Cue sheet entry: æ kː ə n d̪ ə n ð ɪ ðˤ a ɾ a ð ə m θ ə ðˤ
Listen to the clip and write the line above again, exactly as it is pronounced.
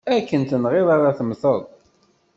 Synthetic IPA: æ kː ə n t̪ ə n ʁ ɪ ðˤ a ɾ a θ ə m θ ə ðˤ